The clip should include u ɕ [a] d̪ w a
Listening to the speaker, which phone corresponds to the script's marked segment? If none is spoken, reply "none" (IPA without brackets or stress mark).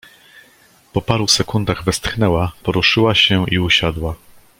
a